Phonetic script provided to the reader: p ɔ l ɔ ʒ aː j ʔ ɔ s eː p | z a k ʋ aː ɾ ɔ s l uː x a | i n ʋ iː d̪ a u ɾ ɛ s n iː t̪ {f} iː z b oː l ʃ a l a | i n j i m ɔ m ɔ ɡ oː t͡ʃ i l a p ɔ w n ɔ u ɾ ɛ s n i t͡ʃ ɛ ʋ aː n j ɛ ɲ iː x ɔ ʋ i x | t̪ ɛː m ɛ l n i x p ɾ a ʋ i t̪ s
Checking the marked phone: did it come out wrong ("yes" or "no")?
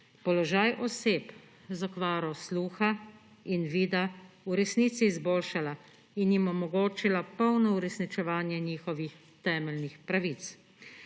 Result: yes